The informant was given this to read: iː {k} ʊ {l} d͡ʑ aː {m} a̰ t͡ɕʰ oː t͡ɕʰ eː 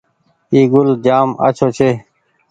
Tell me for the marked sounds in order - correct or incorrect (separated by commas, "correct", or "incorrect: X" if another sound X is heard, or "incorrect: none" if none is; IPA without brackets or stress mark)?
incorrect: ɡ, correct, correct